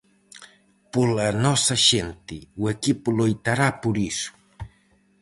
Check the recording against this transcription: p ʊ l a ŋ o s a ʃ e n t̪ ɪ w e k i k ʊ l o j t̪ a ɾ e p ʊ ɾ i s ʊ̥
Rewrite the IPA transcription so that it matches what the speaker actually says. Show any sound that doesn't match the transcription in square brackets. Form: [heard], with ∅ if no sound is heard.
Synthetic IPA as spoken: p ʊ l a [n] o s a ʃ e n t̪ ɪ w e k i [p] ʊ l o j t̪ a ɾ [a] p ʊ ɾ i s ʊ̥